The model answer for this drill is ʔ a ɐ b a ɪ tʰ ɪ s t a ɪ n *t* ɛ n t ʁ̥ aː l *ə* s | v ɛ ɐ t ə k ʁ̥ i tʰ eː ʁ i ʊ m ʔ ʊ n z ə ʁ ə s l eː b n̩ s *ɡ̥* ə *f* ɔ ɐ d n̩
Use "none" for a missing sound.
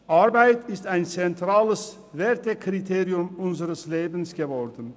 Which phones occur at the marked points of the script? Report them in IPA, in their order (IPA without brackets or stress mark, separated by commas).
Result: t͡s, ə, ɡ̥, v